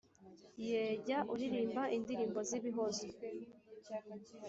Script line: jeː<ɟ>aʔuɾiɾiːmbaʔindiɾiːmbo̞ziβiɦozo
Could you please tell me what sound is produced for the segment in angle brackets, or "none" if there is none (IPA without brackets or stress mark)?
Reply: ɟ